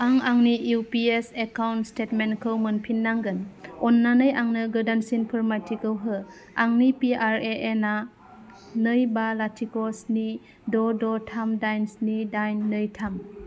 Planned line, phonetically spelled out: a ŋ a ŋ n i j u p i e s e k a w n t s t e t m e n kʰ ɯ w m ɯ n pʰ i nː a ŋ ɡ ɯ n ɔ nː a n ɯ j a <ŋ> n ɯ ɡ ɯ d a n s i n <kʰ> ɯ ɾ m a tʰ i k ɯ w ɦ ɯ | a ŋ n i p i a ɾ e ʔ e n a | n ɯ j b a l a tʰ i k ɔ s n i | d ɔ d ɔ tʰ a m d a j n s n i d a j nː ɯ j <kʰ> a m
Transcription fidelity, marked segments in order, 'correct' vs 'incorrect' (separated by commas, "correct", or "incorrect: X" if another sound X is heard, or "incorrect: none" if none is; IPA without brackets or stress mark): correct, incorrect: pʰ, incorrect: tʰ